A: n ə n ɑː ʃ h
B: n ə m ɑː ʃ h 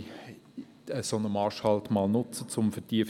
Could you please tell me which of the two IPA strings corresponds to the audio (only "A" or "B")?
B